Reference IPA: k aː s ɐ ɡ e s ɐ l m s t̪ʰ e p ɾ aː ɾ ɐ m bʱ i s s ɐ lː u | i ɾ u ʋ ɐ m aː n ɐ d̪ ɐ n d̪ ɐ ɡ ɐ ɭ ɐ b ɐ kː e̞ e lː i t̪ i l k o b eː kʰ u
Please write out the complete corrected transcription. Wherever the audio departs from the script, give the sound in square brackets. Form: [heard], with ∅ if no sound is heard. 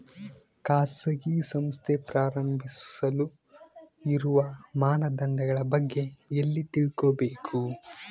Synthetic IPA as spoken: k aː s ɐ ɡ [i] s ɐ [∅] m s t̪ʰ e p ɾ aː ɾ ɐ m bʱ i s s ɐ [l] u | i ɾ u ʋ ɐ m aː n ɐ d̪ ɐ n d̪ ɐ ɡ ɐ ɭ ɐ b ɐ [ɡː] e̞ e lː i t̪ i [ɭ] k o b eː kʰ u